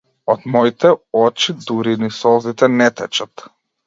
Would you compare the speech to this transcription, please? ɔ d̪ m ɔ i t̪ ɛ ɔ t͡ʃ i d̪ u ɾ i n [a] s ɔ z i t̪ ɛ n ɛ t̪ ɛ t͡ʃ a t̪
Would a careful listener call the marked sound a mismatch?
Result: yes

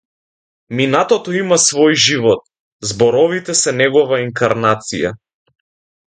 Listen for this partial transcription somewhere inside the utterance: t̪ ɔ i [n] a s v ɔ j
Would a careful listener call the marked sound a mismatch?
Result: yes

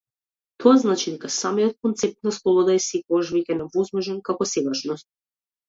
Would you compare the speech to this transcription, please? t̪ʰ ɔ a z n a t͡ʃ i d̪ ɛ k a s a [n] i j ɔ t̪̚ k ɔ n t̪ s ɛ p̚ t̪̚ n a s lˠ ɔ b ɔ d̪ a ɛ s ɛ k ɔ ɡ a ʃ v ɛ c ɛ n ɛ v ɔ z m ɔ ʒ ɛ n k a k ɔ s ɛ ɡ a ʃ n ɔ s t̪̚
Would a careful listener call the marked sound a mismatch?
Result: yes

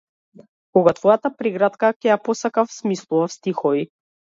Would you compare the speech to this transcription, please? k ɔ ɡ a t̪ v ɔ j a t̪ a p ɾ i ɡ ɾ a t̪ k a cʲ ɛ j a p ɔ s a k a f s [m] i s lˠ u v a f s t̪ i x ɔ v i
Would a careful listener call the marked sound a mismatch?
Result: no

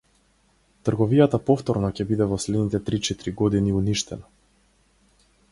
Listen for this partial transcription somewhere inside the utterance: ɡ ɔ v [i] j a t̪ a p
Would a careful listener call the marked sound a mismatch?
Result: no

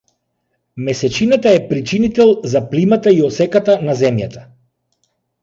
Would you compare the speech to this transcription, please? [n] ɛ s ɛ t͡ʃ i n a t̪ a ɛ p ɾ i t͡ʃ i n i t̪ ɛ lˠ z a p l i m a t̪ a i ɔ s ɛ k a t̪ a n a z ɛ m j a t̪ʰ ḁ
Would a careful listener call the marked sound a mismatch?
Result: yes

